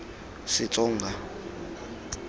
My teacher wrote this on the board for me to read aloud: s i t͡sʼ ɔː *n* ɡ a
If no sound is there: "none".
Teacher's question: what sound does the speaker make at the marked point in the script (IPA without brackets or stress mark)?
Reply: ŋ